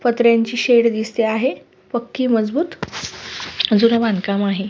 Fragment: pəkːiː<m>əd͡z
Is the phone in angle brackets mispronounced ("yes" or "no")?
no